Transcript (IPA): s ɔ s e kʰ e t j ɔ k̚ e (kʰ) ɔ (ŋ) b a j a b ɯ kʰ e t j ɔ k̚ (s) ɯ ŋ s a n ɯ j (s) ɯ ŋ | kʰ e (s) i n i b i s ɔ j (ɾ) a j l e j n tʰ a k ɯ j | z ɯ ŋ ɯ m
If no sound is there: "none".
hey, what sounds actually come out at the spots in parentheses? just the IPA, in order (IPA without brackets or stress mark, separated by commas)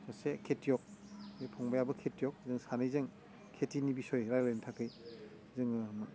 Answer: pʰ, ŋ, z, z, t, ɾ